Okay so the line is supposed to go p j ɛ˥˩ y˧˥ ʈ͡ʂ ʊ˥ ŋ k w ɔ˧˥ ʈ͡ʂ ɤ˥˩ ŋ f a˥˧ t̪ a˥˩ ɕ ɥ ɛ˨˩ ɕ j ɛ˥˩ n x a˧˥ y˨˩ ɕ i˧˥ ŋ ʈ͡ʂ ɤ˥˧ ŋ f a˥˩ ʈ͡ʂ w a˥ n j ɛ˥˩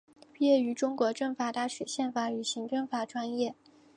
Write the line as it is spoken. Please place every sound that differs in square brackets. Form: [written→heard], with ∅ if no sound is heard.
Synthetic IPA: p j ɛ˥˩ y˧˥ ʈ͡ʂ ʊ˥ ŋ k w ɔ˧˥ ʈ͡ʂ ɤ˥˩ ŋ f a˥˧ t̪ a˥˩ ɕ ɥ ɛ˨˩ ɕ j ɛ˥˩ n [x→f] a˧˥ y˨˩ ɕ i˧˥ ŋ ʈ͡ʂ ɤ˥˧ ŋ f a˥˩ ʈ͡ʂ w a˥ n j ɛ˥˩